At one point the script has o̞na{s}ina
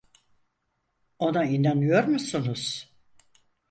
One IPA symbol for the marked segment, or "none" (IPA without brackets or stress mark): none